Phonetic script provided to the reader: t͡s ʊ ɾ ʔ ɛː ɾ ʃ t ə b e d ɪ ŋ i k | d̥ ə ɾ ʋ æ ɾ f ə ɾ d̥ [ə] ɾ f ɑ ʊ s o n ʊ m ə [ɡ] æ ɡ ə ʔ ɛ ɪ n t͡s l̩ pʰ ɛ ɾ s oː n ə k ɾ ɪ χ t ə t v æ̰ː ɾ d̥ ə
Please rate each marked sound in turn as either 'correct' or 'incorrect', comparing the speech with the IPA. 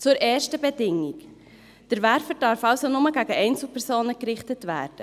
incorrect, correct

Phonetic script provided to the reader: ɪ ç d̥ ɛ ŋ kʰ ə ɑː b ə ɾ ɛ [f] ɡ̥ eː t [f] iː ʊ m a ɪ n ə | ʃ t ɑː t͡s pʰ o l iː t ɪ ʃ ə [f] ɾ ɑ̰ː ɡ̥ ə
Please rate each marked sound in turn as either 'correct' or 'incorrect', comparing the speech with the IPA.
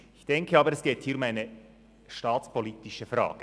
incorrect, incorrect, correct

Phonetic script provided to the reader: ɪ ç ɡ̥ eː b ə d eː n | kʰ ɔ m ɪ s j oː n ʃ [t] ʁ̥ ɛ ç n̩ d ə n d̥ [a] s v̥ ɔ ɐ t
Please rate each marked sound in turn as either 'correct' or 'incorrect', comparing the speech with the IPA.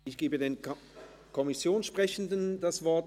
incorrect, correct

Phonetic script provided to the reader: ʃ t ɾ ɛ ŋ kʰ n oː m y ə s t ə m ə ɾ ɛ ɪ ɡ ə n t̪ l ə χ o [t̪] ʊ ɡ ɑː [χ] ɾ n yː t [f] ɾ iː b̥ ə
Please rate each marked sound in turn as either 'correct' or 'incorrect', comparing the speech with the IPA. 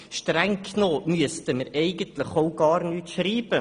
incorrect, incorrect, incorrect

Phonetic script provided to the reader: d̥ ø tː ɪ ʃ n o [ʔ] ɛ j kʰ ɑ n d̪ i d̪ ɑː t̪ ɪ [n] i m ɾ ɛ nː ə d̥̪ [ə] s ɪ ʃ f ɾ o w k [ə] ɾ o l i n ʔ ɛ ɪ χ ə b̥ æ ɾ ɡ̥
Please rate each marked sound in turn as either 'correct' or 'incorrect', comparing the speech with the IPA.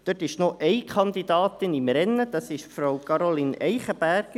correct, correct, incorrect, incorrect

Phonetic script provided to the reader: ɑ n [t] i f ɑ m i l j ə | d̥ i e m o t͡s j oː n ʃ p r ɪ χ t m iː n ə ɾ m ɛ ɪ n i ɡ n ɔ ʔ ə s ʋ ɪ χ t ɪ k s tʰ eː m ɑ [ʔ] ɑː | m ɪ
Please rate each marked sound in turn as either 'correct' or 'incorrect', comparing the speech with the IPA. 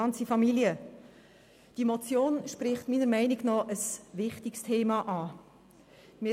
incorrect, correct

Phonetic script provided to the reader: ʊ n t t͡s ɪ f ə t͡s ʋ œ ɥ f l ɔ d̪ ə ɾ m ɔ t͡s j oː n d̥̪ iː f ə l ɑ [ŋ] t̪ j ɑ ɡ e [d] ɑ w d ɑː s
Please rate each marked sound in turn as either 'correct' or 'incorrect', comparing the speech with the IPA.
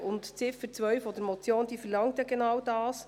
correct, incorrect

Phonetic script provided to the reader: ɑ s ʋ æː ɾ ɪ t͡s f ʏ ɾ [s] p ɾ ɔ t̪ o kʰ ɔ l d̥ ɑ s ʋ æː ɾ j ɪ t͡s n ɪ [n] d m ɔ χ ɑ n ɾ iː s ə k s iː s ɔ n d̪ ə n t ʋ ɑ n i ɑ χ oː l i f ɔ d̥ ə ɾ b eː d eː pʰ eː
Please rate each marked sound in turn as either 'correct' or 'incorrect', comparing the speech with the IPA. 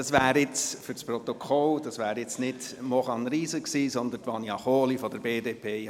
correct, incorrect

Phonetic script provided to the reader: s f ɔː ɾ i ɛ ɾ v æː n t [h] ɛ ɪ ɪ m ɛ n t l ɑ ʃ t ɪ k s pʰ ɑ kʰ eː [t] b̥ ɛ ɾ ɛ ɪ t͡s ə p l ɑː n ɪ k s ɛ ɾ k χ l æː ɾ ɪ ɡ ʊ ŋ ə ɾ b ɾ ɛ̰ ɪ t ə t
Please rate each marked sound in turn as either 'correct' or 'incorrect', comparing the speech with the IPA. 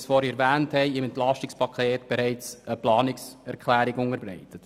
correct, correct

